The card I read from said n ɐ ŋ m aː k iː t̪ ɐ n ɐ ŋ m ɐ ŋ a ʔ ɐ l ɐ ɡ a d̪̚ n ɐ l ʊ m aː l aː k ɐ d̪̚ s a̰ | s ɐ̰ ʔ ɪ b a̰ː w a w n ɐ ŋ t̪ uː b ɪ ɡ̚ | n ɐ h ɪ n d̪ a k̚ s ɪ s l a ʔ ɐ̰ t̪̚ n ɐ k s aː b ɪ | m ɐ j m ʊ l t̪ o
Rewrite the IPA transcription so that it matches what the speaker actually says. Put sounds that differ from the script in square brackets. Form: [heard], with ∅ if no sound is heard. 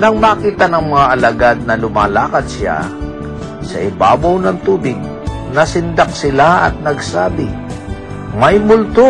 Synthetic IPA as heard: n ɐ ŋ m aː k iː t̪ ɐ n ɐ ŋ m ɐ ŋ a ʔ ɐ l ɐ ɡ a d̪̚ n ɐ l ʊ m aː l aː k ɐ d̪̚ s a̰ | s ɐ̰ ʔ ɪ b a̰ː [b] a w n ɐ ŋ t̪ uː b ɪ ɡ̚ | n ɐ [s] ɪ n d̪ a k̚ s ɪ [∅] l a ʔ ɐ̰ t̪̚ n ɐ [ɡ] s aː b ɪ | m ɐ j m ʊ l t̪ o